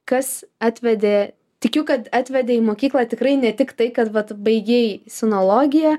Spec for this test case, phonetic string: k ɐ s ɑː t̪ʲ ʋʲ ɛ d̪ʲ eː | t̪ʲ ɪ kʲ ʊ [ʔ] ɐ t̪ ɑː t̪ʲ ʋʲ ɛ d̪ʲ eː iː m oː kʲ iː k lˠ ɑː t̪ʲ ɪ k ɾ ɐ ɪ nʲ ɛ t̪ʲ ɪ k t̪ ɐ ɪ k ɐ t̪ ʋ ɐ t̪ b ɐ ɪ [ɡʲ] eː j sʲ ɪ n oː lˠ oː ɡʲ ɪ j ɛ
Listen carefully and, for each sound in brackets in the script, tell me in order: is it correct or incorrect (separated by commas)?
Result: incorrect, correct